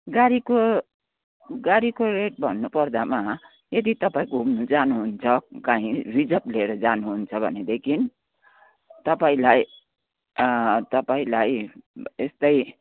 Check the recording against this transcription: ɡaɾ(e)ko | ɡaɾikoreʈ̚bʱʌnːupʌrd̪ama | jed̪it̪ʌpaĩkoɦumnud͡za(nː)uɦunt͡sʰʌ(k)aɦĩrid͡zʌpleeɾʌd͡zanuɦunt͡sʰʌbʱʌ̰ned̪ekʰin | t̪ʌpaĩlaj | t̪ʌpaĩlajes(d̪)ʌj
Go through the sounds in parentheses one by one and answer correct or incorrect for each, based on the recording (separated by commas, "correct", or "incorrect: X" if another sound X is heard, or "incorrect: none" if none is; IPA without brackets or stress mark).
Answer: incorrect: i, incorrect: n, correct, incorrect: t̪